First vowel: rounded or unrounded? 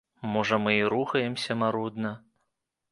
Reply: rounded